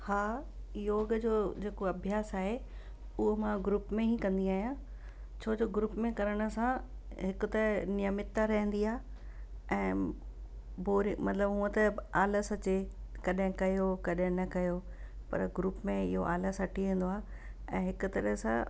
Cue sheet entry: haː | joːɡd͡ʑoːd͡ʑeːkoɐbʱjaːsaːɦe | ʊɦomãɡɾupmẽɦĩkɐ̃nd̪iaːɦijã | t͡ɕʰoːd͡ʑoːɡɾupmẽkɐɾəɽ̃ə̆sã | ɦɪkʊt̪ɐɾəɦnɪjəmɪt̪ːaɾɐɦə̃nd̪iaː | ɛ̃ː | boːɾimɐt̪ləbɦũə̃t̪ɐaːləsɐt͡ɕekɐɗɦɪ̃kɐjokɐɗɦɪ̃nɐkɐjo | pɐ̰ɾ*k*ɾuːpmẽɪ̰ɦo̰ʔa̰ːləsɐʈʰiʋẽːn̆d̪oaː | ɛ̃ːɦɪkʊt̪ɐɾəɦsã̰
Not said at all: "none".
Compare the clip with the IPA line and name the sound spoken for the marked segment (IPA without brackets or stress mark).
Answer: ɡ